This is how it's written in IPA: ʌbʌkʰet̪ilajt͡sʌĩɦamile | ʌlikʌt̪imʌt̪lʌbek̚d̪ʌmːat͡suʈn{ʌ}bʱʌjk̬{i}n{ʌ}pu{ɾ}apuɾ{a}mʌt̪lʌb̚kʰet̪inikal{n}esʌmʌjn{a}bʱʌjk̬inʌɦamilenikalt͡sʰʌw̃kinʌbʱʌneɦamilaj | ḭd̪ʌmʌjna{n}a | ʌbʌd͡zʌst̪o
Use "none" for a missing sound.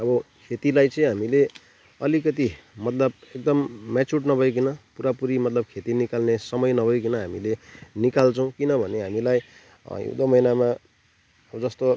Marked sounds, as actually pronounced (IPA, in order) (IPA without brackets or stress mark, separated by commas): ʌ, i, ʌ, ɾ, i, n, ʌ, m